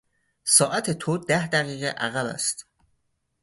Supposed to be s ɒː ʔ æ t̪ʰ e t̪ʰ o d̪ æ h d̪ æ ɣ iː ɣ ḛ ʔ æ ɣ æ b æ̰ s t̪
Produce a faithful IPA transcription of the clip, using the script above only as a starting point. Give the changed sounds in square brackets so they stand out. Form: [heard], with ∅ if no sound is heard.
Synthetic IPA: s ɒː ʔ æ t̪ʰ e t̪ʰ o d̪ æ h d̪ æ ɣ iː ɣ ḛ ʔ æ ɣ æ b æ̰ s t̪